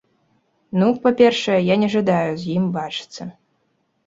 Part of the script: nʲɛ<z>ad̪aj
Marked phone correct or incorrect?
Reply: incorrect